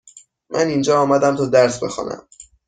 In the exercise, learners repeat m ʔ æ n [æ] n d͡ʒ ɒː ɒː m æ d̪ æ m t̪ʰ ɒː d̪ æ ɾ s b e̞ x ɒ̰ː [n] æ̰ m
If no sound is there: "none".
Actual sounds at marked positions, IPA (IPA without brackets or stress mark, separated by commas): i, n